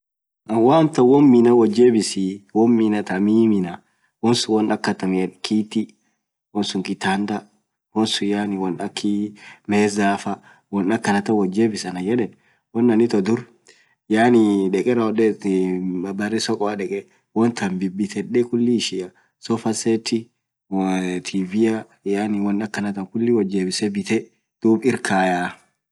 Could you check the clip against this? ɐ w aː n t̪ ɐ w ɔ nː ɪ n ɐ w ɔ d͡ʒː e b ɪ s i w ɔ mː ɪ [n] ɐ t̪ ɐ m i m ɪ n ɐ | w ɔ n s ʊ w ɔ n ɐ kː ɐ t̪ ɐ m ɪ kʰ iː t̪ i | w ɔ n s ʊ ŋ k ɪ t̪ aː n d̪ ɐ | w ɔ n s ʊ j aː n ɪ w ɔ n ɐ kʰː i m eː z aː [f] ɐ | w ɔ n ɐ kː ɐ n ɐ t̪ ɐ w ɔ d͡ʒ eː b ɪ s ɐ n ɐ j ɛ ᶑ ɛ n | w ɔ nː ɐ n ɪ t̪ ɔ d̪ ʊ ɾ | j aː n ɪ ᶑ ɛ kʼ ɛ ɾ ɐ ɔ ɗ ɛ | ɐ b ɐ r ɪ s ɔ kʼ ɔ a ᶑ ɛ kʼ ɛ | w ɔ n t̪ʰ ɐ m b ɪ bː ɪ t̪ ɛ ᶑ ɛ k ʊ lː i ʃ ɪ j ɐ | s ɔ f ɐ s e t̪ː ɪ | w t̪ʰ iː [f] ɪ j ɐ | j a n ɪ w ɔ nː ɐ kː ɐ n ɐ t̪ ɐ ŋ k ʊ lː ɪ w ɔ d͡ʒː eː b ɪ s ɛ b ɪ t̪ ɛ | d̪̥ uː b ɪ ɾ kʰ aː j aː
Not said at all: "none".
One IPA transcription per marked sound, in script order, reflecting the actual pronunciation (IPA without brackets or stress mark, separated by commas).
n, f, v